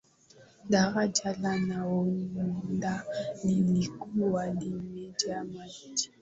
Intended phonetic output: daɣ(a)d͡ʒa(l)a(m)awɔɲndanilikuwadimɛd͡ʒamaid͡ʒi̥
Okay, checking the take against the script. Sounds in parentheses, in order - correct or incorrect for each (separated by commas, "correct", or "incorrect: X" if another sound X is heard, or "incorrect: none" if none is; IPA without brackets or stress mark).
correct, correct, incorrect: n